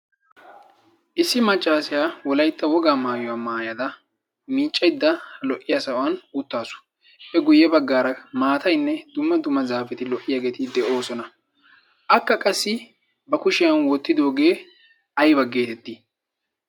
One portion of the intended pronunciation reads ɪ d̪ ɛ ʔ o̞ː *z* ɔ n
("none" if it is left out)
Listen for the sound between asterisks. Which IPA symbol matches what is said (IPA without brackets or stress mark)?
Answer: s